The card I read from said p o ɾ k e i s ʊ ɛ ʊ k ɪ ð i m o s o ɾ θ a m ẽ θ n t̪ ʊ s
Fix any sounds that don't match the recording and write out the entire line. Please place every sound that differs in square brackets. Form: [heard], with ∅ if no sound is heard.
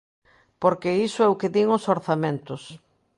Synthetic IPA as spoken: p o ɾ k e i s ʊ ɛ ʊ k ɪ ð i [ŋ] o s o ɾ θ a m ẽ [∅] n t̪ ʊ s